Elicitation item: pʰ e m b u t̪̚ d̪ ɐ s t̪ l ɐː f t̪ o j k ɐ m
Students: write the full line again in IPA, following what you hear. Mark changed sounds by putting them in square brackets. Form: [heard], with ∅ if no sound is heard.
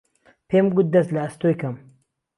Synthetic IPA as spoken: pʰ e m [ɡ] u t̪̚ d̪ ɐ s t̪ l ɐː [s] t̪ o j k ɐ m